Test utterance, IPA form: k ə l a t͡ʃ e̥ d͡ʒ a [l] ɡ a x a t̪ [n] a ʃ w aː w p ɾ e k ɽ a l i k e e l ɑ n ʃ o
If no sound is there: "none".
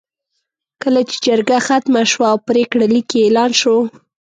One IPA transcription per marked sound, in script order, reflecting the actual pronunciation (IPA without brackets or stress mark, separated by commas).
ɾ, m